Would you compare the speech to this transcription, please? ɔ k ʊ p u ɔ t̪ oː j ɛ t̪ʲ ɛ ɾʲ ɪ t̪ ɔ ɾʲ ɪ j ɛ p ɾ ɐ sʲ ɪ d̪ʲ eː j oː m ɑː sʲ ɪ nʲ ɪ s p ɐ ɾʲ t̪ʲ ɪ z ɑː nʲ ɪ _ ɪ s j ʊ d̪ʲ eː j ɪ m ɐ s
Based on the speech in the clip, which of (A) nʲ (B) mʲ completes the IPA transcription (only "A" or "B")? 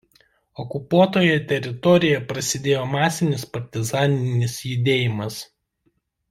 A